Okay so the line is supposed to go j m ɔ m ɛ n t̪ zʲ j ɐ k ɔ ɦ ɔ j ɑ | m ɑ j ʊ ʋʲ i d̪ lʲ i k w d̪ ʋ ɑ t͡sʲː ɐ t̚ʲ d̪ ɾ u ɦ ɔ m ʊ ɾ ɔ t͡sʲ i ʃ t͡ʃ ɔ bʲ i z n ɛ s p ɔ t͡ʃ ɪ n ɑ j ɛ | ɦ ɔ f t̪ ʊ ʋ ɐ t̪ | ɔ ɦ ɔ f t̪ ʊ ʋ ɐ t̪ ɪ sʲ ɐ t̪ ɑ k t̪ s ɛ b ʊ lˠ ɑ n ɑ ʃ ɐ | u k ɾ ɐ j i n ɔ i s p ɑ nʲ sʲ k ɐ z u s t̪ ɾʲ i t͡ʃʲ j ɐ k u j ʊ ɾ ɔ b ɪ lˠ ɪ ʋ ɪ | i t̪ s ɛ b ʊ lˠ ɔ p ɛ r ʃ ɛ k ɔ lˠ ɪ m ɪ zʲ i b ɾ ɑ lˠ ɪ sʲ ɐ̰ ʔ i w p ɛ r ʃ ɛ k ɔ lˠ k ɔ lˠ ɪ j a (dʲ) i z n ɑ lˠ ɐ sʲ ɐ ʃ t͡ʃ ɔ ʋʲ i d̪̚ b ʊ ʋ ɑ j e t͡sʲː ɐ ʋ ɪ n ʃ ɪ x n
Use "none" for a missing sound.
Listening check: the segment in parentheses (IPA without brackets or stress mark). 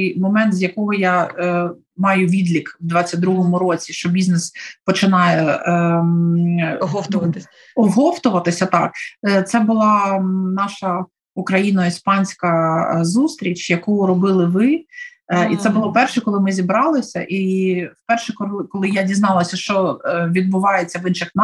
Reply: dʲ